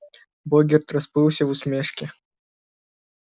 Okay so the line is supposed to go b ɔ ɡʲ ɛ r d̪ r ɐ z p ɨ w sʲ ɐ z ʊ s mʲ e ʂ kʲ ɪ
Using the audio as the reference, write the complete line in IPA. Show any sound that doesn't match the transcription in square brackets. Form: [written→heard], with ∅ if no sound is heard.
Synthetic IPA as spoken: b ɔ ɡʲ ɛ r [d̪→t̪] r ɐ [z→s] p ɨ w sʲ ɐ [z→v] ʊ s mʲ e ʂ kʲ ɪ